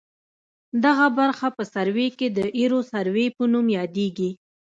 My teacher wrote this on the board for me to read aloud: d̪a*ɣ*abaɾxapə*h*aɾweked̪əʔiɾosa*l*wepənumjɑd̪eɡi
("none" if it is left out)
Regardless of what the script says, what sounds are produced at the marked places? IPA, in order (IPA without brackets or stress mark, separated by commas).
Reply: ɣ, s, ɾ